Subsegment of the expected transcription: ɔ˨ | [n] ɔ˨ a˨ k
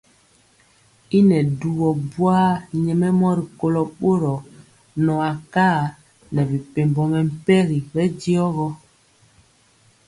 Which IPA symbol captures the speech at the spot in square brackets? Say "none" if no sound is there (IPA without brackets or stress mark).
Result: n